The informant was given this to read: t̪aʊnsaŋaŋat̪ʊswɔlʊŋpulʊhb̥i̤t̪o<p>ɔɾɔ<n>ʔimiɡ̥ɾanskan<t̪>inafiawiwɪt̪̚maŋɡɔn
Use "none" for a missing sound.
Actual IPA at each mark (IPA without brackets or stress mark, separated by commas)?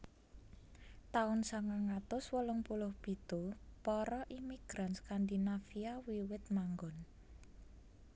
p, none, d̪